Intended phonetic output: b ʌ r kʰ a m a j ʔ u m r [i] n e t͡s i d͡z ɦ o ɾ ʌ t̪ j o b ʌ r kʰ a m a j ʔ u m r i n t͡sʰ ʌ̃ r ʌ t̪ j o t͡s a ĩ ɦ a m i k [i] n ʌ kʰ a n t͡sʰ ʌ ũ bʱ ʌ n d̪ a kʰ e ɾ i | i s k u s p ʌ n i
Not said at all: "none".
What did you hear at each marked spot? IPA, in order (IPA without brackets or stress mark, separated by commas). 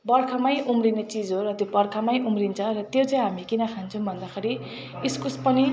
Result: i, i